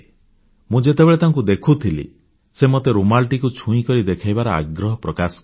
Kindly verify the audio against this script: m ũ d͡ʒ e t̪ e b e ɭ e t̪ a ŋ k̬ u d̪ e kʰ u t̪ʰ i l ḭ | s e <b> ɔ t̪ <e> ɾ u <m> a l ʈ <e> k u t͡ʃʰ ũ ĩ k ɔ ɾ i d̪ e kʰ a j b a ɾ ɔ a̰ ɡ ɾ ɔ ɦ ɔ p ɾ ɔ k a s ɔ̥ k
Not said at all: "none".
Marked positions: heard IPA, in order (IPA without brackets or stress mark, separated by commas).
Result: m, e, m, i